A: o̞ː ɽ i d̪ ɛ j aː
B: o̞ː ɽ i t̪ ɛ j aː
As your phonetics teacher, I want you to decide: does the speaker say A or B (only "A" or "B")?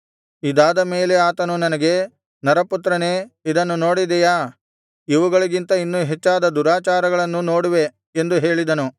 A